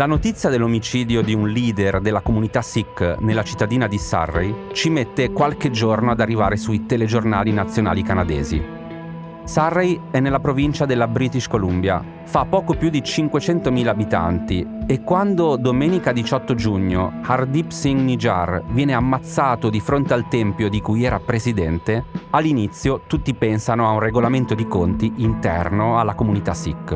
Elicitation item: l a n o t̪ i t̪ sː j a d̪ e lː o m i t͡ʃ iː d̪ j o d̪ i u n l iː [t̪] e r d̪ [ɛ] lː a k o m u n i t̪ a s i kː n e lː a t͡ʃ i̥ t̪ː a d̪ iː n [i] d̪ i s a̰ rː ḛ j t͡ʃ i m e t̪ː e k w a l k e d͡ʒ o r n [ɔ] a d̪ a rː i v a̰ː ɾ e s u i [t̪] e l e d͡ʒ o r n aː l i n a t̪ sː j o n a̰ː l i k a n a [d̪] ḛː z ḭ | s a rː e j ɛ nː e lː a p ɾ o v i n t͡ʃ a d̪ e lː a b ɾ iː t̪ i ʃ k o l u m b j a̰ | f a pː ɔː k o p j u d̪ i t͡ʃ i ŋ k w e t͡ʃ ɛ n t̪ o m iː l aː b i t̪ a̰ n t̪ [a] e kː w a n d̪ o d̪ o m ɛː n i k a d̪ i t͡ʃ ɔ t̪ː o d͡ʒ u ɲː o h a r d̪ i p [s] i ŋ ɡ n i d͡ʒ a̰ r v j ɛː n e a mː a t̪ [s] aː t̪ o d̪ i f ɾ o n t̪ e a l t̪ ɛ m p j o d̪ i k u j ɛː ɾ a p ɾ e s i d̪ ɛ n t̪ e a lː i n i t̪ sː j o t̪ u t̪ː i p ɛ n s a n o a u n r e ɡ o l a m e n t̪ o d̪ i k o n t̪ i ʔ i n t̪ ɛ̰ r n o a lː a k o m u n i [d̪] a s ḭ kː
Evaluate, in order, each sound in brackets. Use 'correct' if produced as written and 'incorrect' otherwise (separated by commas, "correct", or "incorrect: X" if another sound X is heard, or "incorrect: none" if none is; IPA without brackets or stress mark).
incorrect: d̪, incorrect: e, incorrect: a, incorrect: o, correct, correct, incorrect: i, correct, incorrect: sː, incorrect: t̪